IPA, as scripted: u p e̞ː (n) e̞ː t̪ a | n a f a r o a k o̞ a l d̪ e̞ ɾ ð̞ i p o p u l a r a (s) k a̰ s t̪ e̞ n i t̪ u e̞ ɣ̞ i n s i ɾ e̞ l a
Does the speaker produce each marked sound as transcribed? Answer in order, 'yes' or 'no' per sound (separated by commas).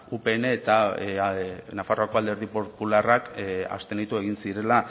yes, no